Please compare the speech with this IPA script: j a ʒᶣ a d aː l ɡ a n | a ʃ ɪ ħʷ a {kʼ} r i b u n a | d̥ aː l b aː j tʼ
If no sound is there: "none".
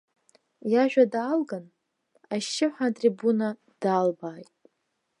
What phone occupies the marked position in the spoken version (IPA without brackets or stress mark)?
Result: tʼ